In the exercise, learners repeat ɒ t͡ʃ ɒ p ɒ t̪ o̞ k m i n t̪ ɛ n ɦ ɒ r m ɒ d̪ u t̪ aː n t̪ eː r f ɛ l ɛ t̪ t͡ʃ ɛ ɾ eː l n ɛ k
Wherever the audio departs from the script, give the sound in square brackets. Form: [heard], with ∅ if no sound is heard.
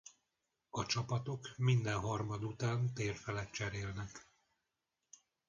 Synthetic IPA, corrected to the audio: ɒ t͡ʃ ɒ p ɒ t̪ o̞ k m i n [d̪] ɛ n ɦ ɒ r m ɒ d̪ u t̪ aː n t̪ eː r f ɛ l ɛ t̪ t͡ʃ ɛ ɾ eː l n ɛ k

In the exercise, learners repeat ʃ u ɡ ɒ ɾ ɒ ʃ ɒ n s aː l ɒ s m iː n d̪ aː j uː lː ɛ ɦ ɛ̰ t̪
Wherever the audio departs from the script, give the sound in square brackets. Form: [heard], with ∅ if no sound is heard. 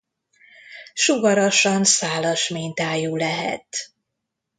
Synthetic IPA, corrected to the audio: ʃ u ɡ ɒ ɾ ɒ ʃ ɒ n s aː l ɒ [ʃ] m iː n [t̪] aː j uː [l] ɛ ɦ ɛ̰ t̪

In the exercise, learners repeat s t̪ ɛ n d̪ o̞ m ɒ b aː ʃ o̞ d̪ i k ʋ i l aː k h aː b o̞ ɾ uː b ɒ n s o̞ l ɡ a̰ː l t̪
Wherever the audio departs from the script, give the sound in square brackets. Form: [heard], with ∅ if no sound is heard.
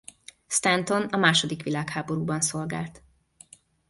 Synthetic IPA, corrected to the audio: s t̪ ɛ n [t̪] o̞ [n] ɒ [m] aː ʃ o̞ d̪ i k ʋ i l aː k h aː b o̞ ɾ uː b ɒ n s o̞ l ɡ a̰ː l t̪

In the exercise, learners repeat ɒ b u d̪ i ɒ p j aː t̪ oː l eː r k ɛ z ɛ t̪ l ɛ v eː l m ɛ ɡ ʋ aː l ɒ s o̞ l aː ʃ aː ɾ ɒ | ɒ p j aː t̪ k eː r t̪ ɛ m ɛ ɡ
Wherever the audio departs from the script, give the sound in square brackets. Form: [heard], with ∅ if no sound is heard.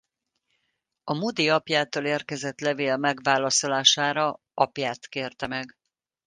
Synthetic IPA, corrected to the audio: ɒ [m] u d̪ i ɒ p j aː t̪ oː l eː r k ɛ z ɛ t̪ l ɛ v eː l m ɛ ɡ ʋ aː l ɒ s o̞ l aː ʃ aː ɾ ɒ | ɒ p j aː t̪ k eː r t̪ ɛ m ɛ ɡ

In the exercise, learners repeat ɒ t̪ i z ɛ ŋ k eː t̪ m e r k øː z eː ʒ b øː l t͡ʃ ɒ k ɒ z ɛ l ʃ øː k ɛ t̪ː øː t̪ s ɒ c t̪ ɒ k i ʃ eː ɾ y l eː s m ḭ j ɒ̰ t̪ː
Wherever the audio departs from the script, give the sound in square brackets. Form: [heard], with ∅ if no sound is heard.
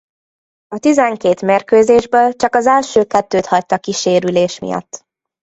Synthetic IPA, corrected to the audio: ɒ t̪ i z ɛ ŋ k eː t̪ m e r k øː z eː ʒ b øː l t͡ʃ ɒ k ɒ z ɛ l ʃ øː k ɛ t̪ː øː t̪ [h] ɒ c t̪ ɒ k i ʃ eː ɾ y l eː [ʃ] m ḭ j ɒ̰ t̪ː

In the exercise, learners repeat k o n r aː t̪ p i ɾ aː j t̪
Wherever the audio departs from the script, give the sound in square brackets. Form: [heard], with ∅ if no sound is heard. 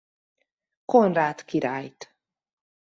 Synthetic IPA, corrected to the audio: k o n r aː t̪ [k] i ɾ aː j t̪

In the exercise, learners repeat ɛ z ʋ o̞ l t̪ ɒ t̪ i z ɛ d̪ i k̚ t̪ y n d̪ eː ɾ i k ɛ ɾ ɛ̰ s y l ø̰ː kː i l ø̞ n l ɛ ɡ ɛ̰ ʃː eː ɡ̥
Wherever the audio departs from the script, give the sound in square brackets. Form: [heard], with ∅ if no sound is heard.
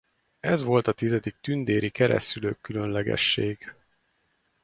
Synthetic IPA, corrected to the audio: ɛ z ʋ o̞ l t̪ ɒ t̪ i z ɛ d̪ i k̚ t̪ y n d̪ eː ɾ i k ɛ ɾ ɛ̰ s y l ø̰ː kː [y] l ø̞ n l ɛ ɡ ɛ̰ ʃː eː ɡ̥

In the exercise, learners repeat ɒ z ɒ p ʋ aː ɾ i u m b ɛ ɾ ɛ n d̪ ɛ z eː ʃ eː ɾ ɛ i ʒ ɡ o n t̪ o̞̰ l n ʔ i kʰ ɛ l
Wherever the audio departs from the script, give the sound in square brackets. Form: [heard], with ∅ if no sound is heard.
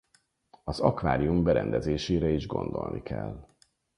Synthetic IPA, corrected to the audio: ɒ z ɒ [k] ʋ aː ɾ i u m b ɛ ɾ ɛ n d̪ ɛ z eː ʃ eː ɾ ɛ i ʒ ɡ o n [d̪] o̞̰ l n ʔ i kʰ ɛ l

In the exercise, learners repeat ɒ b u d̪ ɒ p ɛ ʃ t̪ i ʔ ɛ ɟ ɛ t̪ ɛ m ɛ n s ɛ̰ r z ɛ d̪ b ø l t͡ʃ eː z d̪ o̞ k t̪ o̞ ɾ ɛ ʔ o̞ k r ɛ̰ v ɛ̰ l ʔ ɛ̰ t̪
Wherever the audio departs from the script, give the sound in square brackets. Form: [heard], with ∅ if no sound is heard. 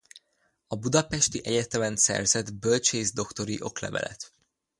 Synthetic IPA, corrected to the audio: ɒ b u d̪ ɒ p ɛ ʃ t̪ i ʔ ɛ ɟ ɛ t̪ ɛ m ɛ n s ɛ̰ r z ɛ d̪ b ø l t͡ʃ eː z d̪ o̞ k t̪ o̞ ɾ [i] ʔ o̞ k [l] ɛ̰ v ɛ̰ l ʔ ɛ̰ t̪

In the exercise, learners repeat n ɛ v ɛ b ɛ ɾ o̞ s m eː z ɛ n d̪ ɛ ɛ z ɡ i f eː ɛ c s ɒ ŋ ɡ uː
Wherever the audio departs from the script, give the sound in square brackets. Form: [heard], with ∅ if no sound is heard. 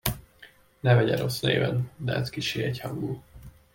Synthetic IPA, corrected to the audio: n ɛ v ɛ [ɟ] ɛ ɾ o̞ s [n] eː [v] ɛ n d̪ ɛ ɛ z [k] i [ʃ] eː ɛ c [h] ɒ ŋ ɡ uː

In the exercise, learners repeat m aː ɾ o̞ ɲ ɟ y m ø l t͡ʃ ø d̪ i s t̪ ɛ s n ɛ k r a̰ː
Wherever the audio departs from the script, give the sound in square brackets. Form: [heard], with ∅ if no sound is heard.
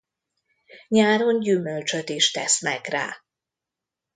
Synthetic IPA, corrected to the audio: [ɲ] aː ɾ o̞ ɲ ɟ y m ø l t͡ʃ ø [t̪] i [ʃ] t̪ ɛ s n ɛ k r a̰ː

